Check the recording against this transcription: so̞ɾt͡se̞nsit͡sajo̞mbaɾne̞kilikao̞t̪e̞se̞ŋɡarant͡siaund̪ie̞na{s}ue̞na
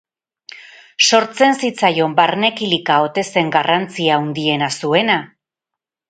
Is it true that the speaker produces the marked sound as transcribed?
yes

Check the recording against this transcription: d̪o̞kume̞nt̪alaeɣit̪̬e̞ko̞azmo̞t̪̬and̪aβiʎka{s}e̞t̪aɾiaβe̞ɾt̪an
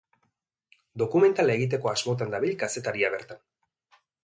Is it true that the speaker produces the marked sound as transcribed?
yes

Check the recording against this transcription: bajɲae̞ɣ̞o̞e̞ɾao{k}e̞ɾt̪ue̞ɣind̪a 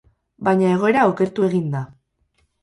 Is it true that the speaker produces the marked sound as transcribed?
yes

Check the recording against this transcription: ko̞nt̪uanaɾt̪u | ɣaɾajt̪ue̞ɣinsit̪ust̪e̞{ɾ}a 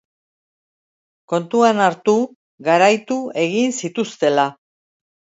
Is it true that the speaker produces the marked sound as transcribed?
no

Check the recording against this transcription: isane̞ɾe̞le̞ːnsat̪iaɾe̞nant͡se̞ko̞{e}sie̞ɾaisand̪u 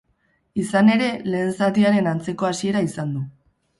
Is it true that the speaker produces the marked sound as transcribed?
no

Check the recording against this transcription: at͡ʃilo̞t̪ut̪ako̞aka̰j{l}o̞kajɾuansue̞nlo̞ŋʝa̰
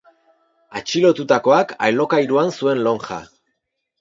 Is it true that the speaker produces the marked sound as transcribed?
yes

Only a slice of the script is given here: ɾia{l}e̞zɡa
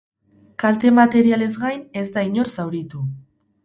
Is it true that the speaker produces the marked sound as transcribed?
yes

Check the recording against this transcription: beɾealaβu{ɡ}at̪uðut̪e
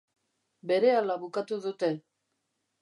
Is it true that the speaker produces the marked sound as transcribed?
no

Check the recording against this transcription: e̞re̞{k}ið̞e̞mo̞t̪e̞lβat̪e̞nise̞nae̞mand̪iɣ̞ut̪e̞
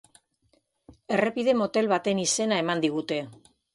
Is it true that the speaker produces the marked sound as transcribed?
no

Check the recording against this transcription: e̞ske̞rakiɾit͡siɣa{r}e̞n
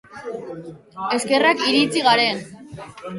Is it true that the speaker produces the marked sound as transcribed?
no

